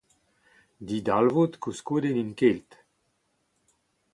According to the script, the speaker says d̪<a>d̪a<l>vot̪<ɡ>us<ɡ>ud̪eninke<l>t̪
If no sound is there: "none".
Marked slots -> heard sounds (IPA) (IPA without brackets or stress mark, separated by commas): i, l, k, k, l